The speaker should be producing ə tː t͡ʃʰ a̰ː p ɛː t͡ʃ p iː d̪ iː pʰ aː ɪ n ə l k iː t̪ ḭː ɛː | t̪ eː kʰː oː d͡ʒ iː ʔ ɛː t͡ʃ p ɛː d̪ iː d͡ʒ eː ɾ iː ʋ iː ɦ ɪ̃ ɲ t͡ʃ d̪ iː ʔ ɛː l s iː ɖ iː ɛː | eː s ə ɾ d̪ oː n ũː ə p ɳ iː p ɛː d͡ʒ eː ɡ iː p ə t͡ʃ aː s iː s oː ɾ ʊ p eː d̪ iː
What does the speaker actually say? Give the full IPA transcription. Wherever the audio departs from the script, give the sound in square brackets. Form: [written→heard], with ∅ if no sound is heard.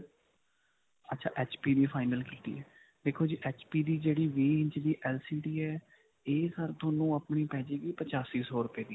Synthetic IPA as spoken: ə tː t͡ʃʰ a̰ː [p→ʔ] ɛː t͡ʃ p iː d̪ iː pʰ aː ɪ n ə l k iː t̪ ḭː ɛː | [t̪→d̪] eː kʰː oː d͡ʒ iː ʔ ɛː t͡ʃ p [ɛː→iː] d̪ iː d͡ʒ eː [ɾ→ɽ] iː ʋ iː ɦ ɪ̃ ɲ t͡ʃ d̪ iː ʔ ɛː l s iː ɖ iː ɛː | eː s ə ɾ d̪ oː n ũː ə p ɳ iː p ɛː d͡ʒ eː ɡ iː p ə t͡ʃ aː s iː s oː ɾ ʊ p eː d̪ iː